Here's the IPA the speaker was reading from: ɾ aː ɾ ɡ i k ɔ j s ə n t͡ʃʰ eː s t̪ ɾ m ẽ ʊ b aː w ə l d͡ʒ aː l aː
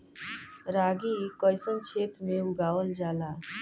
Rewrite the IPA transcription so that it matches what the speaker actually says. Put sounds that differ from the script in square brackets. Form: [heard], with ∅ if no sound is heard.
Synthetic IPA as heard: ɾ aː [∅] ɡ i k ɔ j s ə n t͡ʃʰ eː [∅] t̪ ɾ m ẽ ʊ [ɡ] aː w ə l d͡ʒ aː l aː